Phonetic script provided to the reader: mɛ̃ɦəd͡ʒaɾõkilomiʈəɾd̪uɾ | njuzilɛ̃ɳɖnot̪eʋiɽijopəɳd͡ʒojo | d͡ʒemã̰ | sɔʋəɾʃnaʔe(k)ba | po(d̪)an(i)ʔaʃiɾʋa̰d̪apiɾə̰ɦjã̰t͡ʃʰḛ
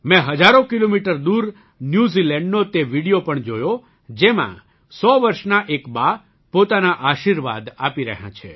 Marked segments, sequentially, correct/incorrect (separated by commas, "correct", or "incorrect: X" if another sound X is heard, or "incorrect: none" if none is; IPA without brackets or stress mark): correct, incorrect: t̪, incorrect: a